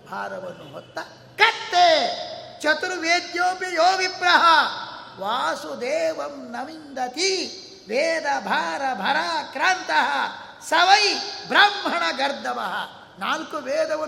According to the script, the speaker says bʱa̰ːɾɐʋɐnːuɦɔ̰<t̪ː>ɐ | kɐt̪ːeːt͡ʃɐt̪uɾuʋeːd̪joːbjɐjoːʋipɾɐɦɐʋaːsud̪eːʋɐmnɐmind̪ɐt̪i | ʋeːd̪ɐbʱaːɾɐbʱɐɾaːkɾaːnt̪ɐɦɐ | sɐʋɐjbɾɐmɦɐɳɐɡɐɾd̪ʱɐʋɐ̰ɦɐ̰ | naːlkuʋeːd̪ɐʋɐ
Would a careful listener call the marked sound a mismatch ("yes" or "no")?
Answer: no